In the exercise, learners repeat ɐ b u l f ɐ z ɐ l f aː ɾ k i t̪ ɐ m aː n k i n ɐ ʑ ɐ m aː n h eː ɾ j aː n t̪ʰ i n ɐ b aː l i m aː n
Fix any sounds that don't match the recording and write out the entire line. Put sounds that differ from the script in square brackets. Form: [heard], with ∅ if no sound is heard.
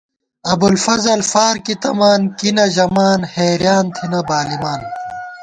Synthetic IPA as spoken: ɐ b u l f ɐ z ɐ l f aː ɾ k i t̪ ɐ m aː n k i n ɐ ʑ ɐ m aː n h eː ɾ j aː n t̪ʰ i n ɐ b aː l i m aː n